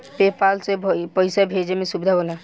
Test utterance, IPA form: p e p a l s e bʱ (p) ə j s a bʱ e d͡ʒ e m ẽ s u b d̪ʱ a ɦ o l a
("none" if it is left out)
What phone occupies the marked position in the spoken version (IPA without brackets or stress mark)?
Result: p